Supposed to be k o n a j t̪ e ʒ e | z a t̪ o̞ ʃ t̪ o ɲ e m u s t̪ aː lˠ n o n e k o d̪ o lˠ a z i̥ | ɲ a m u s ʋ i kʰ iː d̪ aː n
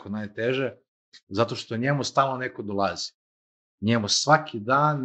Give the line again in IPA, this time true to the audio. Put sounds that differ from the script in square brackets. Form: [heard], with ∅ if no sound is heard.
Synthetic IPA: k o n a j t̪ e ʒ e | z a t̪ o̞ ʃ t̪ o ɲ e m u s t̪ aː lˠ n o n e k o d̪ o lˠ a z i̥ | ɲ [e] m u s ʋ [a] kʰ [i] d̪ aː n